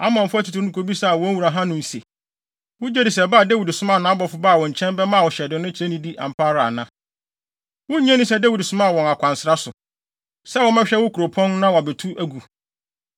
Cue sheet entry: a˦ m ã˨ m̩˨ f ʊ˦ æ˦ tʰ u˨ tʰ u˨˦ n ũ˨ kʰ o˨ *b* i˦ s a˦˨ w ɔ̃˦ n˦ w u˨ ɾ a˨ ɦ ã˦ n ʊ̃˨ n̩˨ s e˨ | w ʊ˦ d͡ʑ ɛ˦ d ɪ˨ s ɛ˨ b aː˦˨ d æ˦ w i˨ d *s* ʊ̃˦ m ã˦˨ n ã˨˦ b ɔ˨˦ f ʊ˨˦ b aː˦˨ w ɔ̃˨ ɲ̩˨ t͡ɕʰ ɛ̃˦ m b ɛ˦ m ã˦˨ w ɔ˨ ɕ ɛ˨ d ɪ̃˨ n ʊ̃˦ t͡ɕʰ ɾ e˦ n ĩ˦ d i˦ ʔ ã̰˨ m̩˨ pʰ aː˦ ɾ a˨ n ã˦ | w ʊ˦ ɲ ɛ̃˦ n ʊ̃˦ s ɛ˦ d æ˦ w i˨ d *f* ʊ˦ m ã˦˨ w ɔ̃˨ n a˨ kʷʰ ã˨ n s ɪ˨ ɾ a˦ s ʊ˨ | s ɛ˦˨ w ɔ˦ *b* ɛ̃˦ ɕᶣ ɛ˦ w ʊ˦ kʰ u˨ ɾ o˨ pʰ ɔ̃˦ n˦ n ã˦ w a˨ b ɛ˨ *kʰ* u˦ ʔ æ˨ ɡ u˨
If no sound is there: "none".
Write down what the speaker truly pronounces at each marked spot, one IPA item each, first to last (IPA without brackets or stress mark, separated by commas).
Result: b, s, s, m, tʰ